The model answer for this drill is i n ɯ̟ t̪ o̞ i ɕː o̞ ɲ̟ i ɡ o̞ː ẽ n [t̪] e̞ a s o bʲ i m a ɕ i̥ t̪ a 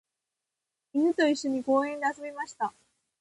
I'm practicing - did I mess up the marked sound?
yes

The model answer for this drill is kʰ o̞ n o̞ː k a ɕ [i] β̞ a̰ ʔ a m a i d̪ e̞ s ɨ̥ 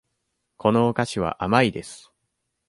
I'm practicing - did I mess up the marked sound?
no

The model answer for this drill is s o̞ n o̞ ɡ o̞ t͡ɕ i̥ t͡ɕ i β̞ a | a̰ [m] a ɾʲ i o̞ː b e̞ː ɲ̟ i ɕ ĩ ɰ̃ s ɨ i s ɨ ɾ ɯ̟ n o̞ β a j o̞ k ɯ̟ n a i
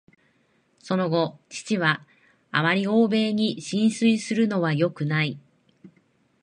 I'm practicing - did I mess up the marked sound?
no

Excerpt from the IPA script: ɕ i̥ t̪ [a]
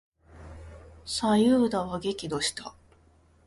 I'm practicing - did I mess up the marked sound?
no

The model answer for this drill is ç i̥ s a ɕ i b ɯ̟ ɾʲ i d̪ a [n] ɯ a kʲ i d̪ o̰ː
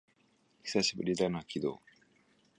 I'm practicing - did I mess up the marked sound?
no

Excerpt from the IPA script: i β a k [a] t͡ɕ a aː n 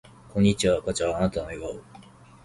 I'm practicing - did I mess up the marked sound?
no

